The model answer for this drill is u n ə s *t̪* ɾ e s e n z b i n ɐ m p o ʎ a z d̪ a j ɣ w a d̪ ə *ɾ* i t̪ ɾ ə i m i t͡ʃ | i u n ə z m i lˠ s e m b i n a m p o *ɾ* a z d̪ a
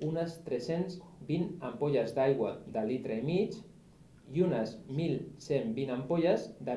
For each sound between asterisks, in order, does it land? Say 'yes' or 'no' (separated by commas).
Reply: yes, no, no